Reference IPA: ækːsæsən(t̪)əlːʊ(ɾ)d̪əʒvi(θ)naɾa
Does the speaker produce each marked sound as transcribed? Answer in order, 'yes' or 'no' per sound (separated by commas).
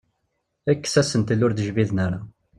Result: yes, yes, no